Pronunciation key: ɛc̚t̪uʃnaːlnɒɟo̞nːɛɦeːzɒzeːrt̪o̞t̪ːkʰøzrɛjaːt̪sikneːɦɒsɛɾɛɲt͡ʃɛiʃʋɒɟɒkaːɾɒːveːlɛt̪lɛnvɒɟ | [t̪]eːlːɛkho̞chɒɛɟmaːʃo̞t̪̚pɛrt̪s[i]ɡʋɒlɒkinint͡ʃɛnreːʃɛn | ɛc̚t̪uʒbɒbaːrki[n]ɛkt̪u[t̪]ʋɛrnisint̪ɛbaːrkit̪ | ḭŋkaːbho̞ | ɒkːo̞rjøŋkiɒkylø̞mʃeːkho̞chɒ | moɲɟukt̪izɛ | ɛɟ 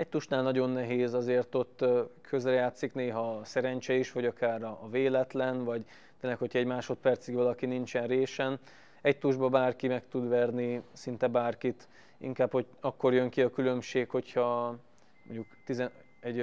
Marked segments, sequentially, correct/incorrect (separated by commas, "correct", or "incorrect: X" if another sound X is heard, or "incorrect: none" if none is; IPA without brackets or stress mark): correct, correct, incorrect: m, incorrect: d̪